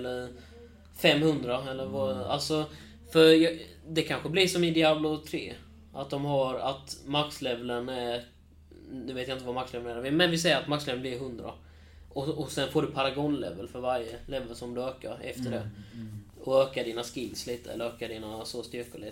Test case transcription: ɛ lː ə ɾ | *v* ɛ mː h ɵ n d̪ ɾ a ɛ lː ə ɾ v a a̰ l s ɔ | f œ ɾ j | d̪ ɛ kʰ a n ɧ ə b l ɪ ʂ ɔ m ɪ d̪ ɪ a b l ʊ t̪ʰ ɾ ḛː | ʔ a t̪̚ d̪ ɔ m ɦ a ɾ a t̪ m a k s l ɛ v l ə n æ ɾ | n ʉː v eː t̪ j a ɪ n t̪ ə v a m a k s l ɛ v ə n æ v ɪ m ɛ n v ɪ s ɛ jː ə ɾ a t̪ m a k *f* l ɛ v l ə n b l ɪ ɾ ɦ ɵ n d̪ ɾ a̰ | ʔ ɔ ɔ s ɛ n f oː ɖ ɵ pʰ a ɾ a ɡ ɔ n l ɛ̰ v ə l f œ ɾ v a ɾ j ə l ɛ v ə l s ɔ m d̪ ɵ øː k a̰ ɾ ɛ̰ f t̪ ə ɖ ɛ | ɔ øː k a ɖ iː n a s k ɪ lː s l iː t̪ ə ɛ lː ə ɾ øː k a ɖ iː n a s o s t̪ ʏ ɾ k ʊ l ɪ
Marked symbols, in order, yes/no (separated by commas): no, no